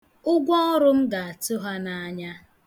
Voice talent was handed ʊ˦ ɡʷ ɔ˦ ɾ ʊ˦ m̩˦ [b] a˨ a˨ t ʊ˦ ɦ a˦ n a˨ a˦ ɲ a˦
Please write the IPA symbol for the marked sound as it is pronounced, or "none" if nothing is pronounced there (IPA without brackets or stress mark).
ɡ